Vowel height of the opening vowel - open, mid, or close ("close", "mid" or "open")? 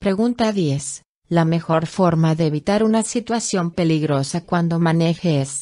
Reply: mid